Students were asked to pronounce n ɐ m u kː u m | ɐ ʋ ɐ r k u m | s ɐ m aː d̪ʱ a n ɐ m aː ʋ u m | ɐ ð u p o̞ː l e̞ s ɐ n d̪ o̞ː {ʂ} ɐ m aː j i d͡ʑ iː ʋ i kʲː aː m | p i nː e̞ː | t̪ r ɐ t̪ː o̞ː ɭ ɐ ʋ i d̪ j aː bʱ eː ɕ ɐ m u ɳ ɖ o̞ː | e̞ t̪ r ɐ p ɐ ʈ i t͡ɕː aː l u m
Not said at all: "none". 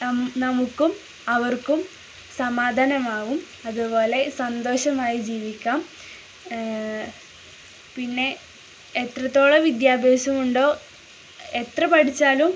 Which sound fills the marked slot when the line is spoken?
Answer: ɕ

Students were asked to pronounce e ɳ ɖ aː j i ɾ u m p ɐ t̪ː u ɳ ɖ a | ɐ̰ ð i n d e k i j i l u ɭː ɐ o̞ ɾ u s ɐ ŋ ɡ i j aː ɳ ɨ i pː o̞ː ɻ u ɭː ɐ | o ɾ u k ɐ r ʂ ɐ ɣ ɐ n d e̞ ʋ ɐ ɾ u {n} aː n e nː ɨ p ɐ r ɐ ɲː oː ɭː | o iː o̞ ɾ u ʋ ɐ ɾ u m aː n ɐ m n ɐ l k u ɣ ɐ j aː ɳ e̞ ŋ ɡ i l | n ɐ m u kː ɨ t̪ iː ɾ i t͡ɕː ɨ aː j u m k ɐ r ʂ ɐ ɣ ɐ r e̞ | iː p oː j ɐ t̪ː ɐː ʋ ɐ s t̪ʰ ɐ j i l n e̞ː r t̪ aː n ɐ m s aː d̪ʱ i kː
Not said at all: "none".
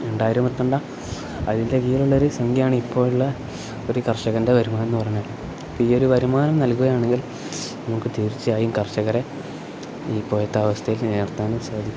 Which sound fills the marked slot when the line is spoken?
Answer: m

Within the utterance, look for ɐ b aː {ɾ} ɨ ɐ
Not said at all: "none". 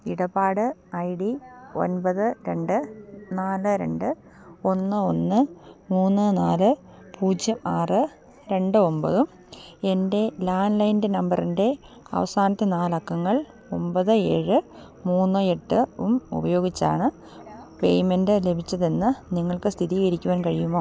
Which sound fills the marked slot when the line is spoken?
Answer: ɽ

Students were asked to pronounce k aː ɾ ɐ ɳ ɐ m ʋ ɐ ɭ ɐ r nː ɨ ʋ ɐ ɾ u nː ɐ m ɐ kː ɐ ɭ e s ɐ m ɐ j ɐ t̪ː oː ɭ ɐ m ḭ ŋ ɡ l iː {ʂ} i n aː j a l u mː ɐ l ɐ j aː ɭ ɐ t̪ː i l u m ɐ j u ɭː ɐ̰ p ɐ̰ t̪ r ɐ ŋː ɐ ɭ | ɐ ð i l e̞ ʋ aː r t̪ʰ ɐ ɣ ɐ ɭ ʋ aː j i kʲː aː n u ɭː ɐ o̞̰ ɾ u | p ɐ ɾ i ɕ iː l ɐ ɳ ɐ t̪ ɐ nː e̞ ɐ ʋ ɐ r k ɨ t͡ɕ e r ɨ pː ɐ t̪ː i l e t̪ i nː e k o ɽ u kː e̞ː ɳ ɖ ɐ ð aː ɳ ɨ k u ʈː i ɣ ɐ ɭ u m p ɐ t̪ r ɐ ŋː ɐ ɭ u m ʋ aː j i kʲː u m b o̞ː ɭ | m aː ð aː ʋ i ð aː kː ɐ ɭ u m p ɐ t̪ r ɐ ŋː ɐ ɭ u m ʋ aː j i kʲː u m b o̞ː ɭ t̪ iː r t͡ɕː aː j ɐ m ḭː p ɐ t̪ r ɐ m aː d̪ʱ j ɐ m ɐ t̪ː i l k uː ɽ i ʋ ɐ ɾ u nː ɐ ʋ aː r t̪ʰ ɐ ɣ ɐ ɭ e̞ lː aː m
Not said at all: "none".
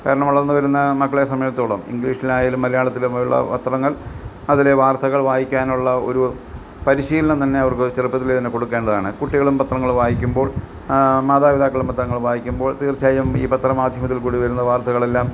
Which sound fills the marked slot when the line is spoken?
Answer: ʂ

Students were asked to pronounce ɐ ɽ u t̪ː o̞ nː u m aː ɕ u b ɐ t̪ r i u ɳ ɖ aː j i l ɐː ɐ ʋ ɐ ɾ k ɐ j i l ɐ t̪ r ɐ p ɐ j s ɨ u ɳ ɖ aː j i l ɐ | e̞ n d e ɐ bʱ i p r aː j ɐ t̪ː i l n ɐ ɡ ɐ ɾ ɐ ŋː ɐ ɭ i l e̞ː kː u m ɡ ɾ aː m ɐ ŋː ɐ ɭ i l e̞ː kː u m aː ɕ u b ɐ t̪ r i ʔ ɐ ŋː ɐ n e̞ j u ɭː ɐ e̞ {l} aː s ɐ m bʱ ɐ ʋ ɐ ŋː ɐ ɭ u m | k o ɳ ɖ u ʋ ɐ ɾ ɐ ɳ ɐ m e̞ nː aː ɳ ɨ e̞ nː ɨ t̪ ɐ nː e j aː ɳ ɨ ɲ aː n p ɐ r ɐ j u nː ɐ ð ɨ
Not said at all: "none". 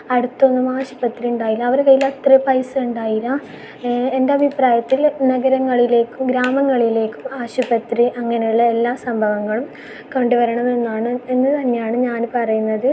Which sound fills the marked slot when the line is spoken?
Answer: lː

